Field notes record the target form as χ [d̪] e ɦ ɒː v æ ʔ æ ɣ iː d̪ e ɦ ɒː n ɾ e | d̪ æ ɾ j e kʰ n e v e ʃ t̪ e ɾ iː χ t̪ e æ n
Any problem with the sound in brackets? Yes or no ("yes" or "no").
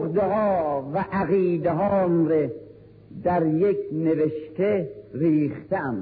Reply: no